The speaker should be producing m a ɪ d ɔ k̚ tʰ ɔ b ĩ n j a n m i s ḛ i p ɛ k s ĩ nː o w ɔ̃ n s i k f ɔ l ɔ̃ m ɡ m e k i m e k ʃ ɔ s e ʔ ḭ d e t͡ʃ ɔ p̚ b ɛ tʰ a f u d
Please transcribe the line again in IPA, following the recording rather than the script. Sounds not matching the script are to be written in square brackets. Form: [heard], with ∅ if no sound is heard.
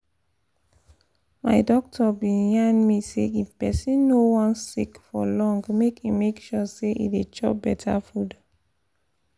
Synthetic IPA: m a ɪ d ɔ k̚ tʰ ɔ b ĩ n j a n m i s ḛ i p ɛ [∅] s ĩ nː o w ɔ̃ n s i k f ɔ l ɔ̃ [ŋ] ɡ m e k i m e k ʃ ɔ s e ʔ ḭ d e t͡ʃ ɔ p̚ b ɛ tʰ a f u d